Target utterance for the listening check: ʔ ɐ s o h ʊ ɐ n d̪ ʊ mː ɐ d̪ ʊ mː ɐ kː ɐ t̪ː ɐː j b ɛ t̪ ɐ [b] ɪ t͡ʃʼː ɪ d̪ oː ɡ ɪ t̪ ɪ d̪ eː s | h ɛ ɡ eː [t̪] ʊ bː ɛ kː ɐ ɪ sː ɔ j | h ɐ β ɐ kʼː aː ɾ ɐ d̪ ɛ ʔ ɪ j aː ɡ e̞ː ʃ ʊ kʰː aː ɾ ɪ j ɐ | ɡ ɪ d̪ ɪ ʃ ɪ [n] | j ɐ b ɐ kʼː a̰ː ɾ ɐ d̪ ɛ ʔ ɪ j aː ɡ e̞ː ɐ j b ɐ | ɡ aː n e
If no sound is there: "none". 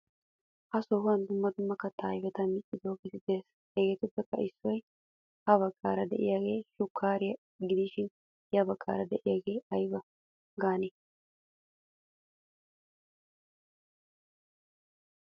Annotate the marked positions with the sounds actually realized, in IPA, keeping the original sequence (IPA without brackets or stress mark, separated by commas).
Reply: m, t̪, n